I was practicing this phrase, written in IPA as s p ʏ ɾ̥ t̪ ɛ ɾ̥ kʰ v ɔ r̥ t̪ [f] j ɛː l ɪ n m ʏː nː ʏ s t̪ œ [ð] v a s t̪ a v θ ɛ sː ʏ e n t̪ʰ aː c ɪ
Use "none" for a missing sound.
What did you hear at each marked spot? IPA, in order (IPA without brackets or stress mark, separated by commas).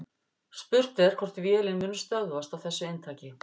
v, ɣ